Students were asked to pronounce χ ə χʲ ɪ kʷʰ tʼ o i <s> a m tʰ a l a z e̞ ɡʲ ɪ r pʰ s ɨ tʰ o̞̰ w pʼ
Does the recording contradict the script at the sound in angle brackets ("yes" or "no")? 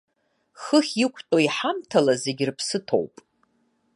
yes